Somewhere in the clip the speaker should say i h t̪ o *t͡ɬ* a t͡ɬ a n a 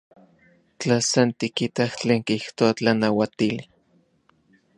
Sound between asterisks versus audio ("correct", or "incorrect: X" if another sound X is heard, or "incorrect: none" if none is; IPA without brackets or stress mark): incorrect: none